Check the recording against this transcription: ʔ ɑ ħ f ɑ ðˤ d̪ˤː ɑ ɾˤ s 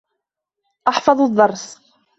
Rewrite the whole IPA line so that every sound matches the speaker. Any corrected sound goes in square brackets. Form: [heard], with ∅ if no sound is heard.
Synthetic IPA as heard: ʔ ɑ ħ f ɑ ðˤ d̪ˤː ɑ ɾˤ s